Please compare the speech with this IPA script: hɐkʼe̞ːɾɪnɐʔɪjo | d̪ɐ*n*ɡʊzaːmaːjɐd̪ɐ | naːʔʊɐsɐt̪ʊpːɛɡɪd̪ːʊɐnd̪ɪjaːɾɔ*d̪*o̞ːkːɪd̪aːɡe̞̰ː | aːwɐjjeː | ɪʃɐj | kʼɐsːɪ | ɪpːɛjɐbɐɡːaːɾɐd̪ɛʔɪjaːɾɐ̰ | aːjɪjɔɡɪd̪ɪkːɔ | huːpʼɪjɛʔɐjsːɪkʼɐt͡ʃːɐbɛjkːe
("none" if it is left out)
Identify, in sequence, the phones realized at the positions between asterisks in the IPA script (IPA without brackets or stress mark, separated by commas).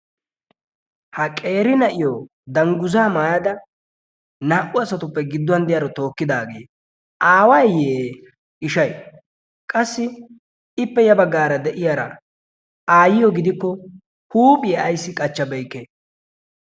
ŋ, t̪